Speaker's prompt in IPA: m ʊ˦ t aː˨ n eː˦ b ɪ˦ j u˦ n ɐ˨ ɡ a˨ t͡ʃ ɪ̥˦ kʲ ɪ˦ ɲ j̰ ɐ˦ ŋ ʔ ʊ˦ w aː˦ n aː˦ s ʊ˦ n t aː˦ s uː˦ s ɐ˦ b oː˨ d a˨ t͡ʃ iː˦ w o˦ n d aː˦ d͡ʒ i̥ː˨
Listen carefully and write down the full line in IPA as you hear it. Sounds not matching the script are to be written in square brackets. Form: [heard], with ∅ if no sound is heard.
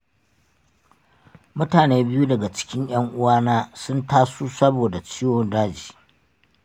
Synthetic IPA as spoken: m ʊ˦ t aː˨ n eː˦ b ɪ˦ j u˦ [d] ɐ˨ ɡ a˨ t͡ʃ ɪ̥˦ kʲ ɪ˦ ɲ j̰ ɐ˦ ŋ ʔ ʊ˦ w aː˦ n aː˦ s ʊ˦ n t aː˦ s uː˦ s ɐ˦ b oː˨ d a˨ t͡ʃ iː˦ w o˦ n d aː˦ d͡ʒ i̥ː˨

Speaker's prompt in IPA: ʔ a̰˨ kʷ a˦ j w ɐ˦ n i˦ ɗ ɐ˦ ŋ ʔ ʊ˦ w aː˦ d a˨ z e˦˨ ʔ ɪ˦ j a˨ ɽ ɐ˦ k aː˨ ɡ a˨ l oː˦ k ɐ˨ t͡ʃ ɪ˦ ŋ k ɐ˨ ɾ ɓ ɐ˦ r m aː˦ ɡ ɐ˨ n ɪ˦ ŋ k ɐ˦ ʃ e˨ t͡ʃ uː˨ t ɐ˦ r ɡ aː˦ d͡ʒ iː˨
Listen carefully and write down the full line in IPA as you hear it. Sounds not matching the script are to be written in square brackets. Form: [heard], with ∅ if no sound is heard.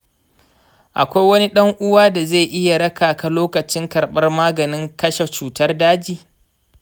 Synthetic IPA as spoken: ʔ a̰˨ kʷ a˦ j w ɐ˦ n i˦ ɗ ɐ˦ ŋ ʔ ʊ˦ w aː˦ d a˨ z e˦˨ ʔ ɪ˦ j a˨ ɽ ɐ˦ k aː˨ [k] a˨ l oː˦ k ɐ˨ t͡ʃ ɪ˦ ŋ k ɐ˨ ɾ ɓ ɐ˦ r m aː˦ ɡ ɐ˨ n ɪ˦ ŋ k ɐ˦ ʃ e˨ t͡ʃ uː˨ t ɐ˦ r [d] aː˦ d͡ʒ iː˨

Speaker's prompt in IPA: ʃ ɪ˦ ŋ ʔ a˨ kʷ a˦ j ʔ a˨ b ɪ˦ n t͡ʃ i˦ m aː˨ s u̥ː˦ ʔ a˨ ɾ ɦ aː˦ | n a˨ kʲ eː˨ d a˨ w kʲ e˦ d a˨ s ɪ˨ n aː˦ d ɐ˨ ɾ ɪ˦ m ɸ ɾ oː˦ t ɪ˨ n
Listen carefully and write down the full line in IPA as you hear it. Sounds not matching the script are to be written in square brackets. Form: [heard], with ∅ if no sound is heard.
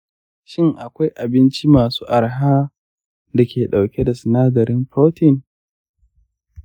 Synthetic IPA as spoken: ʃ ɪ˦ ŋ ʔ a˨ kʷ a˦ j ʔ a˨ b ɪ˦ n t͡ʃ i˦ m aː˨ s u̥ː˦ ʔ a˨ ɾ ɦ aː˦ | [d] a˨ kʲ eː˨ [ɗ] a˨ w kʲ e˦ d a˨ s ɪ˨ n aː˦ d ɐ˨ ɾ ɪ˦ m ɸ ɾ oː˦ t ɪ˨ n

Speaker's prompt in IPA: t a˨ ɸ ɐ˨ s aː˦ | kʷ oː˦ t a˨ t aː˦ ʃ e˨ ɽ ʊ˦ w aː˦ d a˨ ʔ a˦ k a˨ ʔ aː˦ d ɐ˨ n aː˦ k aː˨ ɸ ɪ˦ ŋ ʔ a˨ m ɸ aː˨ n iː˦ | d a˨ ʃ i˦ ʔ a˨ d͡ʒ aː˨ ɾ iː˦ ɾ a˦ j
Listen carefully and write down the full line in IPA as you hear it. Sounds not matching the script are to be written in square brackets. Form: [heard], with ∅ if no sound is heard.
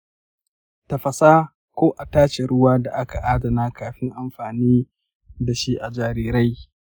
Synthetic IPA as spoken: t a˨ ɸ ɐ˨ s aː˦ | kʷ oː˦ [ʔ] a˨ t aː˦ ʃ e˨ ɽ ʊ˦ w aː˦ d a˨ ʔ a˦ k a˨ ʔ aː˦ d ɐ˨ n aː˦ k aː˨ ɸ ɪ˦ ŋ ʔ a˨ m ɸ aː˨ n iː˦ | d a˨ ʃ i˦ ʔ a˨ d͡ʒ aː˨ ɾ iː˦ ɾ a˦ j

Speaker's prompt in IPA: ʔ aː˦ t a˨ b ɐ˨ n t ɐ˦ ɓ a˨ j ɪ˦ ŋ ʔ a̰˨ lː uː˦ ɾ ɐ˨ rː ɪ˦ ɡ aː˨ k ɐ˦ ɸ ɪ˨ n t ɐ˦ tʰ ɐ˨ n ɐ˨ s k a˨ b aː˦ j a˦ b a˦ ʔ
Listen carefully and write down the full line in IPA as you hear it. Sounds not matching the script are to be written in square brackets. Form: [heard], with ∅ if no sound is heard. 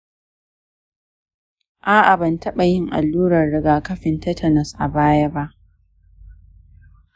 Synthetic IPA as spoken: ʔ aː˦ [ʔ] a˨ b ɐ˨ n t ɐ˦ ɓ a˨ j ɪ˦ ŋ ʔ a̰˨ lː uː˦ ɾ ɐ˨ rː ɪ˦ ɡ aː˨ k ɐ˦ ɸ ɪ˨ n t ɐ˦ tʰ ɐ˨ n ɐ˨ s [ʔ] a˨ b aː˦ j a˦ b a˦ ʔ

